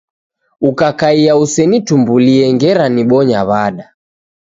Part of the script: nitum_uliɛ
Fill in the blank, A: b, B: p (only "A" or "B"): A